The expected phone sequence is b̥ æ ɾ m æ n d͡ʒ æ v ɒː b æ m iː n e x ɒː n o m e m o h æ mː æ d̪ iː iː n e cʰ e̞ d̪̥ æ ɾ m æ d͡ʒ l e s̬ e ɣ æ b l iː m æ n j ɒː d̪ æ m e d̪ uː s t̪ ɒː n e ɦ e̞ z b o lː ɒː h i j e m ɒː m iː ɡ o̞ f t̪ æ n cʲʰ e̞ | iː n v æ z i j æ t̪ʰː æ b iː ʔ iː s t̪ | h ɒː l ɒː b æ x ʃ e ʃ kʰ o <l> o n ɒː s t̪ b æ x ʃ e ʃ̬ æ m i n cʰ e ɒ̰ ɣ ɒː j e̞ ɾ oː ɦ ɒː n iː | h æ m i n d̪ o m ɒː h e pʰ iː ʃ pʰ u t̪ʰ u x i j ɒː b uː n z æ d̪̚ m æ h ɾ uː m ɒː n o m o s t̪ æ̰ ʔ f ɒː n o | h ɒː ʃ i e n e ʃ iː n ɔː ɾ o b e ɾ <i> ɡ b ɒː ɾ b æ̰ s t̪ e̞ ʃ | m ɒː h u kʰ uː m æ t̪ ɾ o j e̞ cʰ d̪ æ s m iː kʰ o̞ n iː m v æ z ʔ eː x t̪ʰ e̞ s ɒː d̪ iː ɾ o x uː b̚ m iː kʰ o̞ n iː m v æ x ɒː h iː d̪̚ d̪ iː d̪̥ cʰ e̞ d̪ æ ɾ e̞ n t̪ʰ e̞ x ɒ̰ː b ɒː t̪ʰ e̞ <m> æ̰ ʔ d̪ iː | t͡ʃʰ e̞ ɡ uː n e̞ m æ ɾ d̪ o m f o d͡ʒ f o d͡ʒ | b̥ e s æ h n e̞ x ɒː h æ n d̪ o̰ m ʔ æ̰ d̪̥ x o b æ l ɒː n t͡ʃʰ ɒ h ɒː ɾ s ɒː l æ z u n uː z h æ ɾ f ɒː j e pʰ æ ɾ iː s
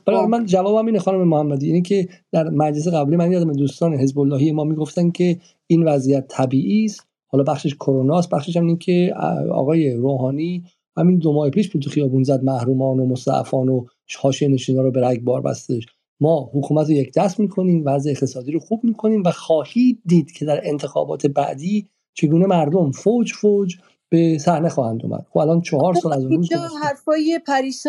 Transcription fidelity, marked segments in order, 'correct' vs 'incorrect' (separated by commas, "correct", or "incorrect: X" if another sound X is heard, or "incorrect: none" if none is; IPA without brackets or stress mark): incorrect: ɾ, incorrect: æ, incorrect: b